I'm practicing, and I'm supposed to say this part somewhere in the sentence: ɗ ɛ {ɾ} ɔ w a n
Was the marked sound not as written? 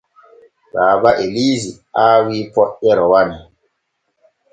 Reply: no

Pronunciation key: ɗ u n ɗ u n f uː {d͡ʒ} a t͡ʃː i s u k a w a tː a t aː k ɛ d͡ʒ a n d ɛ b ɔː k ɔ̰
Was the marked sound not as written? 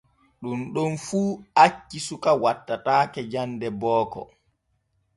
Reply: yes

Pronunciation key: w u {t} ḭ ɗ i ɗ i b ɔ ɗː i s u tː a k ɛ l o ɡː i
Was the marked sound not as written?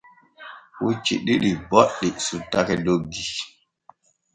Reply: yes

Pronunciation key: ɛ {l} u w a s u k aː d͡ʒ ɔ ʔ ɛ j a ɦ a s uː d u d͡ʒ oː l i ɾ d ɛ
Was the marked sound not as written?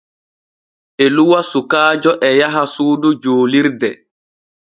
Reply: no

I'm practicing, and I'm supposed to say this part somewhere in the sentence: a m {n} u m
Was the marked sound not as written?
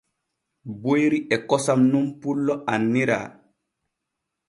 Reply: no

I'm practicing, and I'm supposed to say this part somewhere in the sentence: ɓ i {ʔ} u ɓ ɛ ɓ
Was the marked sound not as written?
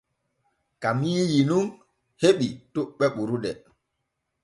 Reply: yes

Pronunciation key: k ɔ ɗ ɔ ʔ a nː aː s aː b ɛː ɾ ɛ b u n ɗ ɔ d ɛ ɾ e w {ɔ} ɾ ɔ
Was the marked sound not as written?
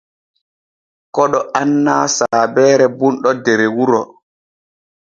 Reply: yes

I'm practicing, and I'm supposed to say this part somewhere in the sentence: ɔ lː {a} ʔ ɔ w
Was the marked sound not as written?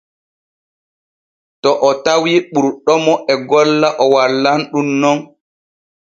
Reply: no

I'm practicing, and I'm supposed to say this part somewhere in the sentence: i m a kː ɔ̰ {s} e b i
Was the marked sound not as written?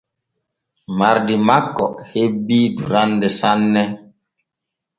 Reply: yes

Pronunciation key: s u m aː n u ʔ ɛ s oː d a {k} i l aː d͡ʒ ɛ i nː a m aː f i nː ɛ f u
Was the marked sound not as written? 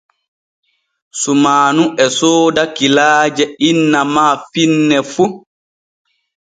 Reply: no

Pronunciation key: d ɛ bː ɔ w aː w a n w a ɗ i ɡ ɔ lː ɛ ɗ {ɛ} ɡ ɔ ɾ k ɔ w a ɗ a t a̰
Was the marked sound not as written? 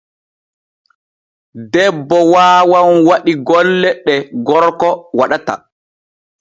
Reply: no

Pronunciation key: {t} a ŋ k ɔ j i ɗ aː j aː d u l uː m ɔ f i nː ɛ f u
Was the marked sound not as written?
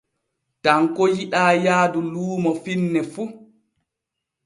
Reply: no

